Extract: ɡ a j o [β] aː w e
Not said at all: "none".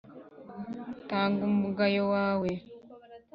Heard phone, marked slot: w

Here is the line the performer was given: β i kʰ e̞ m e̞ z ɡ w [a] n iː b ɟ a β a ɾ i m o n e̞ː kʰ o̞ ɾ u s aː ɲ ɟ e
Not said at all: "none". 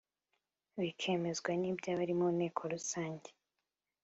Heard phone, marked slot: a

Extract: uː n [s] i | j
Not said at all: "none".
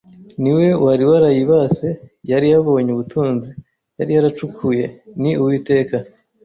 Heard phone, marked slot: z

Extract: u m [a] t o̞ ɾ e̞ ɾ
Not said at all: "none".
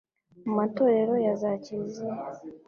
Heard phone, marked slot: a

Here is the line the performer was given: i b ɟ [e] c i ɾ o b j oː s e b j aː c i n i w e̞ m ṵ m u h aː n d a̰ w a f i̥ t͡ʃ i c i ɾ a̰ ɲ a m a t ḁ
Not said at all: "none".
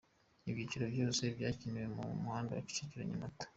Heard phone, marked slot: i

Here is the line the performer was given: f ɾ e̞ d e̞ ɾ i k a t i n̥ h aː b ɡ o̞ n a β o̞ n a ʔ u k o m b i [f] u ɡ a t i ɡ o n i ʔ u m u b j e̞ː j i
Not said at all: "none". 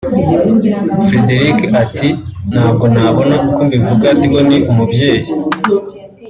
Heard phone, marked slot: v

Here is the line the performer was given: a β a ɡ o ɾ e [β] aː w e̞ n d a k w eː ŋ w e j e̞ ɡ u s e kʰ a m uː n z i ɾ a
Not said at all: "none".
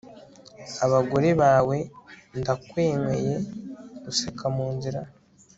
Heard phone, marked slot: β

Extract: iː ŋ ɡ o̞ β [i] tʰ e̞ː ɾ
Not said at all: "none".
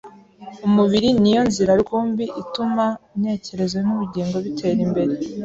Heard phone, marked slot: i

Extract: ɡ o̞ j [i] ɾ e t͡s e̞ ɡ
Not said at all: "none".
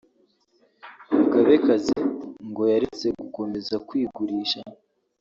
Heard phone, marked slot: a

